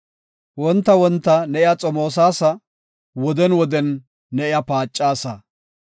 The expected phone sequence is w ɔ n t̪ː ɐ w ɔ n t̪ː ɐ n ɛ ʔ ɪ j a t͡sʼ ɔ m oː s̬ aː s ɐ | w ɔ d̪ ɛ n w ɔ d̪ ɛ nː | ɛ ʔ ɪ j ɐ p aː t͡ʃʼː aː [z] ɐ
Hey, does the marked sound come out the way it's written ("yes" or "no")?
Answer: no